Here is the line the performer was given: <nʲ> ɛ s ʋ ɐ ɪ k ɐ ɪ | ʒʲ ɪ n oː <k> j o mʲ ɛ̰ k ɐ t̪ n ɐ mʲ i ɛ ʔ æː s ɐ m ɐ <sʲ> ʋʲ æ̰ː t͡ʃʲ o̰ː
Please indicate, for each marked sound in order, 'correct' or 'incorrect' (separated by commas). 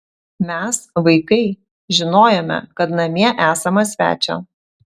incorrect, incorrect, correct